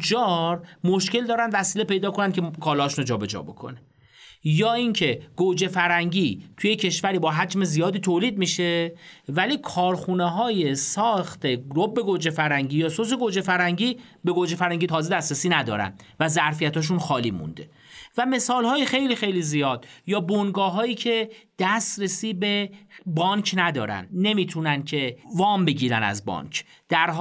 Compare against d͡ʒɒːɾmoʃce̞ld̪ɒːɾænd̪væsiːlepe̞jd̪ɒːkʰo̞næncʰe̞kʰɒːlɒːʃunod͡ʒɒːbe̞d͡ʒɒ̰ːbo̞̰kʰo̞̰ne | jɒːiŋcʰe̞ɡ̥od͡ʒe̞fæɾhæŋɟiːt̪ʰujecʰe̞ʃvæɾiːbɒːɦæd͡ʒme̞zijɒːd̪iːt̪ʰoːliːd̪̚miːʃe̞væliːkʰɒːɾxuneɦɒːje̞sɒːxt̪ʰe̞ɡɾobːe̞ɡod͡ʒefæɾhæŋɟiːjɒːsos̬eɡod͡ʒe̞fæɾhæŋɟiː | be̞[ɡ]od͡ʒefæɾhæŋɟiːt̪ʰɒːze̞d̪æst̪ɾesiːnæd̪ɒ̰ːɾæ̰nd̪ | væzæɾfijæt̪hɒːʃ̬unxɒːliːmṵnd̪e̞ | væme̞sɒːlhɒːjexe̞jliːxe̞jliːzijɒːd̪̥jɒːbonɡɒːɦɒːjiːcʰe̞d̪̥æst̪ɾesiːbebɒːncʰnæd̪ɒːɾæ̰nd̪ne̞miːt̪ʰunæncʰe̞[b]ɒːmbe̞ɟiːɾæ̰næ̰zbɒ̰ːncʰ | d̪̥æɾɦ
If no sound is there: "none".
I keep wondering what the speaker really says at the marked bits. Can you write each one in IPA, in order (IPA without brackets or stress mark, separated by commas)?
ɡ, v